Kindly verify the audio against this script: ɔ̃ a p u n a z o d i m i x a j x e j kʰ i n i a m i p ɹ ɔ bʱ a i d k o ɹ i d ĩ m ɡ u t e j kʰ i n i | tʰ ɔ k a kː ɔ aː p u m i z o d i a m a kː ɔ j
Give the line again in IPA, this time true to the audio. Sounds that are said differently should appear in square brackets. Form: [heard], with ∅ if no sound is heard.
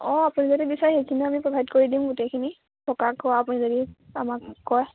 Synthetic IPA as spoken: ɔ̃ a p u n [i] z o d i [b] i [s] a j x e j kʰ i n i a m i p ɹ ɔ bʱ a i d k o ɹ i d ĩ m ɡ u t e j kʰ i n i | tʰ ɔ k a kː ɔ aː p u [n] i z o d i a m a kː ɔ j